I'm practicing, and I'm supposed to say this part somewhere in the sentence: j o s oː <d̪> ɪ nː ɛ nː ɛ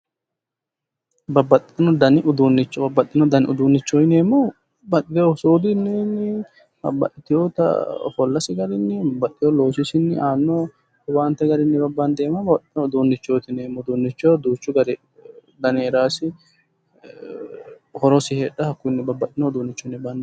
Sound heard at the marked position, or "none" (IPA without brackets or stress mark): d̪